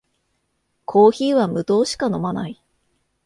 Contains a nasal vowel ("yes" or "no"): no